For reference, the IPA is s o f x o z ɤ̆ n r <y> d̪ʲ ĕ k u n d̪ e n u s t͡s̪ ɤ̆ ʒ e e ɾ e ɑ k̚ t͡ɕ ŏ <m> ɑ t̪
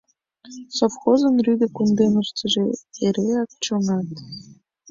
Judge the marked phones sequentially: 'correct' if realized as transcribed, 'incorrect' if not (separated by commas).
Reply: correct, incorrect